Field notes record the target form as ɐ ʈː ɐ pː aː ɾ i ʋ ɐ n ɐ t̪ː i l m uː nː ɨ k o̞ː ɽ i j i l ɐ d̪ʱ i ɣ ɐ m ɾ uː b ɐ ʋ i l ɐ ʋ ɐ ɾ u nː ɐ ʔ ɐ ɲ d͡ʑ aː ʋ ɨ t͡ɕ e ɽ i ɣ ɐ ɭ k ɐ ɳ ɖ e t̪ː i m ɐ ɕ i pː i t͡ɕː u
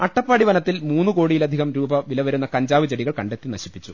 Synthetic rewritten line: ɐ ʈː ɐ pː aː ɽ i ʋ ɐ n ɐ t̪ː i l m uː nː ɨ k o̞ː ɽ i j i l ɐ d̪ʱ i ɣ ɐ m ɾ uː b ɐ ʋ i l ɐ ʋ ɐ ɾ u nː ɐ k ɐ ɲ d͡ʑ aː ʋ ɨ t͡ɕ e ɽ i ɣ ɐ ɭ k ɐ ɳ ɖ e t̪ː i n ɐ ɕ i pː i t͡ɕː u